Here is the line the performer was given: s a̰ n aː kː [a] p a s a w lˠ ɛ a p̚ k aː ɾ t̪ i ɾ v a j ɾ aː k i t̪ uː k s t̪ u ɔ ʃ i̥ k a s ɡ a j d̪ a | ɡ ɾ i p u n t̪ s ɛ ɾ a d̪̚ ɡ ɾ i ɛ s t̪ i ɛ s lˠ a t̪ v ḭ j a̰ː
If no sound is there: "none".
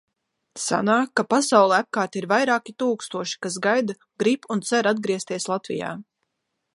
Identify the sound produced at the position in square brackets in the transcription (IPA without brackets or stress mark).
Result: a